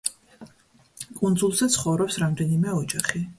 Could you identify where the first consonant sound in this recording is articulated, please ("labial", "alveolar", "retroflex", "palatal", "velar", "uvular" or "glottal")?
velar